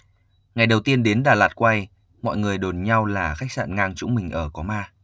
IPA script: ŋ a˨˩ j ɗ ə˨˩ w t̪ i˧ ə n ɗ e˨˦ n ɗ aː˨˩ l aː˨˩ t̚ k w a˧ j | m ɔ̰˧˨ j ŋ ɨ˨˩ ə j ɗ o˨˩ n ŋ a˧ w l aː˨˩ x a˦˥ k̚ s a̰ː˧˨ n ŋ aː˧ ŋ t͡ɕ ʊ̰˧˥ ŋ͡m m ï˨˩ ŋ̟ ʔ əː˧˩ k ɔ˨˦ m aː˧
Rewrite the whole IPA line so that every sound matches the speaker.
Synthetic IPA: ŋ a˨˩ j ɗ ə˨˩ w t̪ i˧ ə n ɗ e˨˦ n ɗ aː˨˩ l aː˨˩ t̚ k w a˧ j | m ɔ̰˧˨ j ŋ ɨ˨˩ ə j ɗ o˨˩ n ɲ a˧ w l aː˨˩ x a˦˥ k̚ s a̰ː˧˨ n ŋ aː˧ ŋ t͡ɕ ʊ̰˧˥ ŋ͡m m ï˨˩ ŋ̟ ʔ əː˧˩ k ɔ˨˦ m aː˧